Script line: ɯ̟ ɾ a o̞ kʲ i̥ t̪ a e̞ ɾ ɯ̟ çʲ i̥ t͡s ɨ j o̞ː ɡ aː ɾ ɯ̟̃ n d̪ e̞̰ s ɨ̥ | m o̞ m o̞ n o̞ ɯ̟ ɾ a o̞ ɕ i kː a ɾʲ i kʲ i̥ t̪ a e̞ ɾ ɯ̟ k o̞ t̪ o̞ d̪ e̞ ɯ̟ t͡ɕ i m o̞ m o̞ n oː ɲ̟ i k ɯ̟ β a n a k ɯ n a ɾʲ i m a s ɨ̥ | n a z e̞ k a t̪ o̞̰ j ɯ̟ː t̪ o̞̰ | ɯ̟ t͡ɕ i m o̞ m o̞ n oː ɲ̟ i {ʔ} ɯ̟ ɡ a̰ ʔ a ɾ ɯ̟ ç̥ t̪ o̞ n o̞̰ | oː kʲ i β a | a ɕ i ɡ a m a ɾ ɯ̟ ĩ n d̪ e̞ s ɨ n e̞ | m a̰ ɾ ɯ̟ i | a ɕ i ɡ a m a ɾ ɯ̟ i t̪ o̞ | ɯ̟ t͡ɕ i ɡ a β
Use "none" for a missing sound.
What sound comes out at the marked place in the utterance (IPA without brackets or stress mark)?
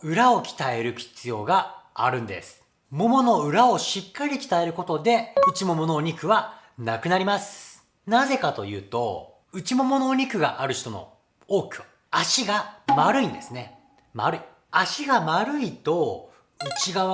k